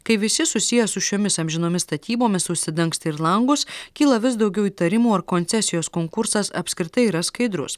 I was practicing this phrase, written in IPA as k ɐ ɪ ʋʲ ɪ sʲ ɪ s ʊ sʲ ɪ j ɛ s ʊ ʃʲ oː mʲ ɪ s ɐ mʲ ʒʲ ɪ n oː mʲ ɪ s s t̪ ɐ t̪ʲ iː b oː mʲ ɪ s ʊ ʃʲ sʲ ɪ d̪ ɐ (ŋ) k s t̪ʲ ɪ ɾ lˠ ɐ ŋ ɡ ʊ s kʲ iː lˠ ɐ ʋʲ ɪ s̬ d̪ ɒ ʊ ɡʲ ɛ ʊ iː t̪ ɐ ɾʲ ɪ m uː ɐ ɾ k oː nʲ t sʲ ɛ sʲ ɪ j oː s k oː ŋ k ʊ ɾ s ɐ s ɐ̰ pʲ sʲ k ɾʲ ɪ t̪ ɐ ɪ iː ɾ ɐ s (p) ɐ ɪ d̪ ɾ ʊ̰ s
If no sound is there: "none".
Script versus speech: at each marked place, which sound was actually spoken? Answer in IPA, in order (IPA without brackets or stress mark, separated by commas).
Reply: ŋ, k